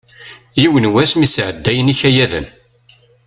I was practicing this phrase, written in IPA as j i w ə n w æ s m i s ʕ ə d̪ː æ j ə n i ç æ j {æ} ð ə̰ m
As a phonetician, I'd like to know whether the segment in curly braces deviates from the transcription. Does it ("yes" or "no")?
no